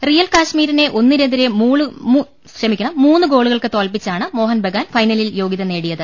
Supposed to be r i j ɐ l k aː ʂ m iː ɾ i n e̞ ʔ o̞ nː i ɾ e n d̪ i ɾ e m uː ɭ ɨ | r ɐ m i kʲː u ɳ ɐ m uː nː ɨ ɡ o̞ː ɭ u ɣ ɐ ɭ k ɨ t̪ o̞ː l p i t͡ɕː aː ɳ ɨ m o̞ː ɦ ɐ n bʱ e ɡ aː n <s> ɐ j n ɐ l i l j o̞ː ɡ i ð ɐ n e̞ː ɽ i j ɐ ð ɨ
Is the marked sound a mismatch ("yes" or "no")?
yes